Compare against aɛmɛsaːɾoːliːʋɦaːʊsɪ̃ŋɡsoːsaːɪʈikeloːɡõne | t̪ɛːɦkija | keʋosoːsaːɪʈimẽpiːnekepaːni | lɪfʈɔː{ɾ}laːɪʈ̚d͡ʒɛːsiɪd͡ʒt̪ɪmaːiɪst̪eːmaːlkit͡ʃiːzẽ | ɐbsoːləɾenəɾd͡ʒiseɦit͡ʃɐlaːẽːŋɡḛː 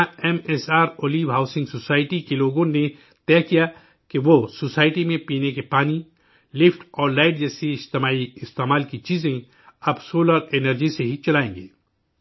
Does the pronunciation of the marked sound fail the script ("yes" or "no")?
no